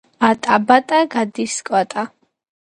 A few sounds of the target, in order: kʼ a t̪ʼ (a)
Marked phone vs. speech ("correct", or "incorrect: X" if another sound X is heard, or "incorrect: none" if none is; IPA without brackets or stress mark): correct